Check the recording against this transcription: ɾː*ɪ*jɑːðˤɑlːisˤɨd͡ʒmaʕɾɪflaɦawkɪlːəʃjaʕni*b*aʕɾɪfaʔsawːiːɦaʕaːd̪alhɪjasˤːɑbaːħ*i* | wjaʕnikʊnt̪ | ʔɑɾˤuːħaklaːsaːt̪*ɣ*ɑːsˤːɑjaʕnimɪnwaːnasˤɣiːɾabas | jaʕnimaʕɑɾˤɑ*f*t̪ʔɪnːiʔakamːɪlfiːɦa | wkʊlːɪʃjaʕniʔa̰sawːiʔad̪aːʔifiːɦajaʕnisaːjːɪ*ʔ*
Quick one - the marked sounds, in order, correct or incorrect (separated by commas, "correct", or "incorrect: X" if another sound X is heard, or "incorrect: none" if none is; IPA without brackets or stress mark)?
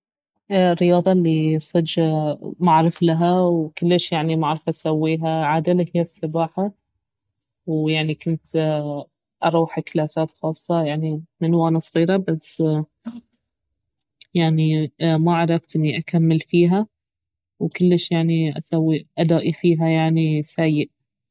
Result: correct, incorrect: m, incorrect: a, incorrect: x, correct, correct